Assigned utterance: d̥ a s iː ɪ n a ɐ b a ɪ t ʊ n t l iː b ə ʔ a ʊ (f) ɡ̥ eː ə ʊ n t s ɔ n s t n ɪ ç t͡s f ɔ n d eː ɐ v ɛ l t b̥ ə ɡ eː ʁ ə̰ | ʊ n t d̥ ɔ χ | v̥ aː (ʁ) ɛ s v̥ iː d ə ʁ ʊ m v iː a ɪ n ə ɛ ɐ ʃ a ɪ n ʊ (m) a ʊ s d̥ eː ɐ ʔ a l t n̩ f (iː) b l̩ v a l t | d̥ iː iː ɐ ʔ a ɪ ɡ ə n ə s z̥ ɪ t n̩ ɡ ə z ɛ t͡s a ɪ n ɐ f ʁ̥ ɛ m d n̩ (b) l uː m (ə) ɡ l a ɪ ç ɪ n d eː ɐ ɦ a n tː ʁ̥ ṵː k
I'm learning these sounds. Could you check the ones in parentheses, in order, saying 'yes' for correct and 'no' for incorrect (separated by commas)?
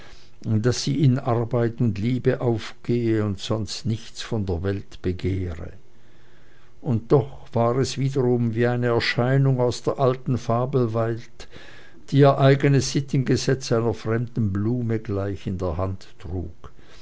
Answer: yes, yes, no, no, yes, yes